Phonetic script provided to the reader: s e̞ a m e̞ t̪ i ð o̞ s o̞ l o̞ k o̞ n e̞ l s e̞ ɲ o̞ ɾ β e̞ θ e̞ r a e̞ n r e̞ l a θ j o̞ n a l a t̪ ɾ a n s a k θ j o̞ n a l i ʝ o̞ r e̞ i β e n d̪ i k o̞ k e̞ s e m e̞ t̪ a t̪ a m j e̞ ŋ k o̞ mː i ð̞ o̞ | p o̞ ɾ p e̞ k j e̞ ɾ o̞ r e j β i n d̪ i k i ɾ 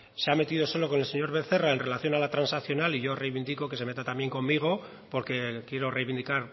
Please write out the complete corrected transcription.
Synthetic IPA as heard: s e̞ a m e̞ t̪ i ð o̞ s o̞ l o̞ k o̞ n e̞ l s e̞ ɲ o̞ ɾ β e̞ θ e̞ r a e̞ n r e̞ l a θ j o̞ n a l a t̪ ɾ a n s a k θ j o̞ n a l i ʝ o̞ r e̞ j β i n d̪ i k o̞ k e̞ s e m e̞ t̪ a t̪ a m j e̞ ŋ k o̞ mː i ɣ̞ o̞ | p o̞ ɾ k e̞ k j e̞ ɾ o̞ r e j β i n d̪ i k a ɾ